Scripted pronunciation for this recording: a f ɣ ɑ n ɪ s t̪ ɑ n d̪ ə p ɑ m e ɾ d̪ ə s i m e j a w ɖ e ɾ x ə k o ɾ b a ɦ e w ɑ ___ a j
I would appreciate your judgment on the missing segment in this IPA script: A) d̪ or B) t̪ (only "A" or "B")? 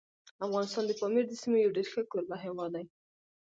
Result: A